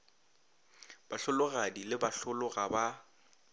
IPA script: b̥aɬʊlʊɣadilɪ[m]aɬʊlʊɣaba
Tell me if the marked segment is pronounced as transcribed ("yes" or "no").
no